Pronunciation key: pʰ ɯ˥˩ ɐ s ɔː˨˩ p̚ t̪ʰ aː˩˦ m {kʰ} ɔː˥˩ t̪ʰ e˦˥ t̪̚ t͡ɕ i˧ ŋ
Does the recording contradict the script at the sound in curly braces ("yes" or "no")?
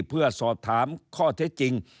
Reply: no